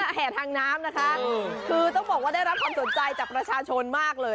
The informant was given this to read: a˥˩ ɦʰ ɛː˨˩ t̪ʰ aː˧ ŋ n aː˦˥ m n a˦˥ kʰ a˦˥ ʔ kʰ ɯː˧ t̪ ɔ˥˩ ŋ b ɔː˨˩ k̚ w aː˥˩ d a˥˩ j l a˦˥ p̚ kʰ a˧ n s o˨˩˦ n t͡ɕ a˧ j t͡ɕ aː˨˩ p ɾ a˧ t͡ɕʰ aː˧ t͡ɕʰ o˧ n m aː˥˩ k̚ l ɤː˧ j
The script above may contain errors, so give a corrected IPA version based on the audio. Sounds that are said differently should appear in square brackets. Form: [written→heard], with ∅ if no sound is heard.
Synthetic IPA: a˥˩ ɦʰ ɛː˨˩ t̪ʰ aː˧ ŋ n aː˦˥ m n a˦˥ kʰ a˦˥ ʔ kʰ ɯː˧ t̪ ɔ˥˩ ŋ b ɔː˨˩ k̚ w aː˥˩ d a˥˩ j [l→ɾ] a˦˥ p̚ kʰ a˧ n s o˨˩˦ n t͡ɕ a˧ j t͡ɕ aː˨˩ p ɾ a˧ t͡ɕʰ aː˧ t͡ɕʰ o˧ n m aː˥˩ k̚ l ɤː˧ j